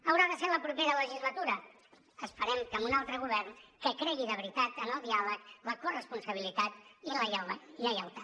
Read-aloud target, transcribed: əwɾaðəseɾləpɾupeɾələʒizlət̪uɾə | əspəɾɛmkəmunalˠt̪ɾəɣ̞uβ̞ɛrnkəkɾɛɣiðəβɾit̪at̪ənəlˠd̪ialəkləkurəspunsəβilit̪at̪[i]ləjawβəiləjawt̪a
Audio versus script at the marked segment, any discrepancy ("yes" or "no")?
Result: no